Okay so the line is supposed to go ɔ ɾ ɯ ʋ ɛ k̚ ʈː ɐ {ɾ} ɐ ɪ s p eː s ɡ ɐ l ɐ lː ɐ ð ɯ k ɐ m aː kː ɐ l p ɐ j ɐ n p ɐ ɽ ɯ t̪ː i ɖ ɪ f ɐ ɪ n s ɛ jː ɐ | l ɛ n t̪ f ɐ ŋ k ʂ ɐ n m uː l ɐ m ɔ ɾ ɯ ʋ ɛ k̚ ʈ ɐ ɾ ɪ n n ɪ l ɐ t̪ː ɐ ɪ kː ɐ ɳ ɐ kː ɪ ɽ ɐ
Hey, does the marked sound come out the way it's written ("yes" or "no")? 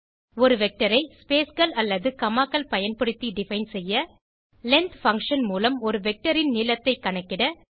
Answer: yes